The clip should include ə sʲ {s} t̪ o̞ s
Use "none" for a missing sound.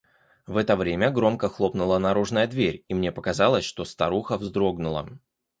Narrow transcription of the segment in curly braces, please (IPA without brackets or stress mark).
ʂ